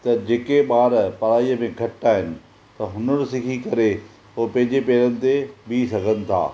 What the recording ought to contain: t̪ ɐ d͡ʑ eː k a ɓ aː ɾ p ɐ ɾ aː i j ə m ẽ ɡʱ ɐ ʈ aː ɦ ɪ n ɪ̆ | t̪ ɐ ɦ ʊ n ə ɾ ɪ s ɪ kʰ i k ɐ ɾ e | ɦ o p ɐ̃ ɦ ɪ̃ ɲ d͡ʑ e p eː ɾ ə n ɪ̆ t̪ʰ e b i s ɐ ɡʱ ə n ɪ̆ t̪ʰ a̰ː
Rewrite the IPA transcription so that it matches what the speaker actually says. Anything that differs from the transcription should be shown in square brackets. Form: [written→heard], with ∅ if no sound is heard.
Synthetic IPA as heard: t̪ ɐ d͡ʑ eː k [a→e] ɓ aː ɾ p ɐ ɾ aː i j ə m ẽ ɡʱ ɐ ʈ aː ɦ ɪ n ɪ̆ | t̪ ɐ ɦ ʊ n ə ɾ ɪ s ɪ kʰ i k ɐ ɾ e | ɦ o p ɐ̃ ɦ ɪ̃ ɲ d͡ʑ e p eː ɾ ə n ɪ̆ [t̪ʰ→t̪] e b i s ɐ ɡʱ ə n ɪ̆ t̪ʰ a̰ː

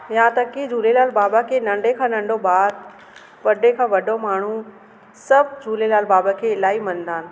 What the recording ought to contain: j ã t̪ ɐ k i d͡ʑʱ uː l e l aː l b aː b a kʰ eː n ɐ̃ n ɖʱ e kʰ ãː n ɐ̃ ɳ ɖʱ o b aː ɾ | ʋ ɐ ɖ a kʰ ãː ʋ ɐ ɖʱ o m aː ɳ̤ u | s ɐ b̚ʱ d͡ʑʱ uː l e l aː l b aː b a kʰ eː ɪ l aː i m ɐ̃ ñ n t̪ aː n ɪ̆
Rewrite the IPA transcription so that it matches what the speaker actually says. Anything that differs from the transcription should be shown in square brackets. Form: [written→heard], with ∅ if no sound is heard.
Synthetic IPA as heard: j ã t̪ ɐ k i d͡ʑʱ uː l e l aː l b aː b a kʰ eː n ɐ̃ [n→ɳ] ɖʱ e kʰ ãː n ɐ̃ ɳ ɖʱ o b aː ɾ | ʋ ɐ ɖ [a→e] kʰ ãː ʋ ɐ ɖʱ o m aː ɳ̤ u | s ɐ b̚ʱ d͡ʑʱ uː l e l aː l b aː b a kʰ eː ɪ l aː i m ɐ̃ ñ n [t̪→d̪] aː n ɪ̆

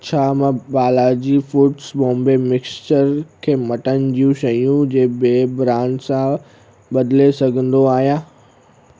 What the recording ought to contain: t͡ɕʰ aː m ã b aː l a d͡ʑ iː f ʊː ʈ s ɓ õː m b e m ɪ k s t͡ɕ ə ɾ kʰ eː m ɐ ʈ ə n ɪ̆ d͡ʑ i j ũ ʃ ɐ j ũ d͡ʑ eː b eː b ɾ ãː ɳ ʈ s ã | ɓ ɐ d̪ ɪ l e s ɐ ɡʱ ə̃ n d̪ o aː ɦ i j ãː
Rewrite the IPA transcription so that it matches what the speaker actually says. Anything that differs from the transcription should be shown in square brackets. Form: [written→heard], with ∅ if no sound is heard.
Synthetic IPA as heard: t͡ɕʰ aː m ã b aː l a d͡ʑ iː f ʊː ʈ s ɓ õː m b e m ɪ k s t͡ɕ ə ɾ kʰ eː m ɐ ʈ ə n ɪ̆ d͡ʑ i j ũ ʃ ɐ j ũ d͡ʑ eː b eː b ɾ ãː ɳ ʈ s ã | ɓ ɐ d̪ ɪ l e s ɐ ɡʱ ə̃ n d̪ o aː ɦ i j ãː

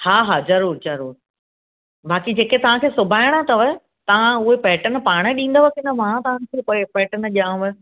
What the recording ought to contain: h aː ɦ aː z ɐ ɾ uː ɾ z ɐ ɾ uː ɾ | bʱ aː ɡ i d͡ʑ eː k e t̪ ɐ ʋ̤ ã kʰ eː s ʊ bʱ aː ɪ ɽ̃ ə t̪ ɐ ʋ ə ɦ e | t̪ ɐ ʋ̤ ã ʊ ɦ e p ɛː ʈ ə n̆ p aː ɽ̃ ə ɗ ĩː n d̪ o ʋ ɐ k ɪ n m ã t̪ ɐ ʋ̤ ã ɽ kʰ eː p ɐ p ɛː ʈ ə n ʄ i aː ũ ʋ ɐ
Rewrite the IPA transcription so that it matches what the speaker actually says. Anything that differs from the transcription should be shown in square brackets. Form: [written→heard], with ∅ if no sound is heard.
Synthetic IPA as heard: h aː ɦ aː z ɐ ɾ uː ɾ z ɐ ɾ uː ɾ | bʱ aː [ɡ→k] i d͡ʑ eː k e t̪ ɐ ʋ̤ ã kʰ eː s ʊ bʱ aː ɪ ɽ̃ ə t̪ ɐ ʋ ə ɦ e | t̪ ɐ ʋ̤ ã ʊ ɦ e p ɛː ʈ ə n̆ p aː ɽ̃ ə ɗ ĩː n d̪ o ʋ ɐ k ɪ n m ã t̪ ɐ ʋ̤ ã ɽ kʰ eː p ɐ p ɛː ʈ ə n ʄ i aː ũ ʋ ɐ

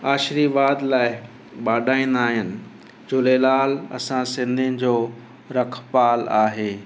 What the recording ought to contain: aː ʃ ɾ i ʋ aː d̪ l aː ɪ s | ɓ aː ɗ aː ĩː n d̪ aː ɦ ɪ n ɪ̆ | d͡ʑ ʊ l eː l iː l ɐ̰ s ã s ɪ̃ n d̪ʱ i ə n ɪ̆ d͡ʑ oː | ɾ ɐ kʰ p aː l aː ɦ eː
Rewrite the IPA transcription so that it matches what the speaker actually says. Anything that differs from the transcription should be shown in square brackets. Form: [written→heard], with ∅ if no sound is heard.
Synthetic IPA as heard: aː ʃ ɾ i ʋ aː d̪ l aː ɪ [s→∅] | ɓ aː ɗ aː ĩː n d̪ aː ɦ ɪ n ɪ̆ | d͡ʑ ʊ l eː l [iː→aː] l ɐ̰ s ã s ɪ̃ n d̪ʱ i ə n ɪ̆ d͡ʑ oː | ɾ ɐ kʰ p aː l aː ɦ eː

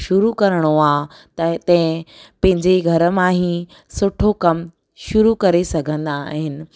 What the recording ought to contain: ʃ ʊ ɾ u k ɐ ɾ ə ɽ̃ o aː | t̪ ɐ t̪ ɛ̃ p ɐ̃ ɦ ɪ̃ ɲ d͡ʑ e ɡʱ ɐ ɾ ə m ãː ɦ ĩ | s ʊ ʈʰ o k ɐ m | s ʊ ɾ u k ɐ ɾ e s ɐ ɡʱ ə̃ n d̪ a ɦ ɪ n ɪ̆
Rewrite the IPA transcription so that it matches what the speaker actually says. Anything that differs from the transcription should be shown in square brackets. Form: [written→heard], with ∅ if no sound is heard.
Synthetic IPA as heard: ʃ ʊ ɾ u k ɐ ɾ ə ɽ̃ o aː | t̪ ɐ t̪ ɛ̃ p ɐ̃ ɦ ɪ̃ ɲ d͡ʑ e ɡʱ ɐ ɾ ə m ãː ɦ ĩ | s ʊ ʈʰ o k ɐ m | [s→ʃ] ʊ ɾ u k ɐ ɾ e s ɐ ɡʱ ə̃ n d̪ a ɦ ɪ n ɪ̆

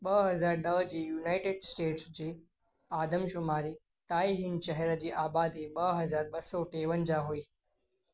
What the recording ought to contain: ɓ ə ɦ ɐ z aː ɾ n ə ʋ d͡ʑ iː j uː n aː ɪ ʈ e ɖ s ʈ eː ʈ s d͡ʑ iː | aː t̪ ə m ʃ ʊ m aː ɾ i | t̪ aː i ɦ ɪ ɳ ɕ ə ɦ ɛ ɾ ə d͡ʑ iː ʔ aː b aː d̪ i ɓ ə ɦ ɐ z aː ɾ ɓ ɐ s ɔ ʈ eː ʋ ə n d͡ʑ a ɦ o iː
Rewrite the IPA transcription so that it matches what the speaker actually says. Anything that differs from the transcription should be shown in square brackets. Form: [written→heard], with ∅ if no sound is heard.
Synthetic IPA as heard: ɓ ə ɦ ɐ z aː ɾ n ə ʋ d͡ʑ iː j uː n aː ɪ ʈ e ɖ s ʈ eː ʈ s d͡ʑ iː | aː [t̪→d̪] ə m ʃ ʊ m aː ɾ i | t̪ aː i ɦ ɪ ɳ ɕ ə ɦ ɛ ɾ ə d͡ʑ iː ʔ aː b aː d̪ i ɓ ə ɦ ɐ z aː ɾ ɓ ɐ s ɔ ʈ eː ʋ ə n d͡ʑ a ɦ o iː

